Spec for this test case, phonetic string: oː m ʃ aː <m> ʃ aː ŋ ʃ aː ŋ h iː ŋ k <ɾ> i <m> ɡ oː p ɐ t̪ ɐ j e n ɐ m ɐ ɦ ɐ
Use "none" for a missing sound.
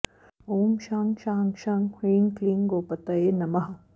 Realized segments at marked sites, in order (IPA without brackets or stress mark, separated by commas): ŋ, l, ŋ